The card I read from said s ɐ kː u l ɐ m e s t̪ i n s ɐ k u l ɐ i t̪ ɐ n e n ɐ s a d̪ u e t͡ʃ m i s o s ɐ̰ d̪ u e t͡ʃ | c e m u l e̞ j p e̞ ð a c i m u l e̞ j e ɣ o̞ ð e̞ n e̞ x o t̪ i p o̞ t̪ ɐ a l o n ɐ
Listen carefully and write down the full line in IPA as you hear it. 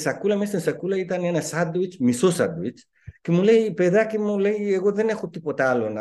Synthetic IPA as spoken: s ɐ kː u l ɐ m e s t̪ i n s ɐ k u l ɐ i t̪ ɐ n e n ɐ s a d̪ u i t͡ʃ m i s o s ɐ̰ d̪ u i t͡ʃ | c e m u l e̞ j p e̞ ð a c i m u l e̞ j e ɣ o̞ ð e̞ n e̞ x o t̪ i p o̞ t̪ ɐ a l o n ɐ